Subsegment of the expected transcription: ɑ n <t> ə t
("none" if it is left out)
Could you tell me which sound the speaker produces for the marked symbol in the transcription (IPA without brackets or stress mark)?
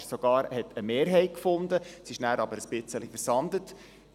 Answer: d